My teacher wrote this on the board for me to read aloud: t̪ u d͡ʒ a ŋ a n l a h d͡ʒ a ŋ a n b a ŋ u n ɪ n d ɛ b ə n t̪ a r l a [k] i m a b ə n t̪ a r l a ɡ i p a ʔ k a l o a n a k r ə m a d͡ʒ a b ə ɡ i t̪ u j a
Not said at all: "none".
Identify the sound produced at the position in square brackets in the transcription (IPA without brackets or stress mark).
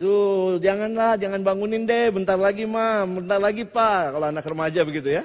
ɡ